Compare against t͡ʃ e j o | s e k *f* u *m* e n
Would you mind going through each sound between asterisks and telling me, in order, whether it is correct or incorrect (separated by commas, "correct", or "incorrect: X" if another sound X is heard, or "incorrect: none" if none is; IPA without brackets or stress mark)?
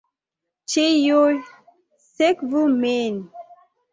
incorrect: v, correct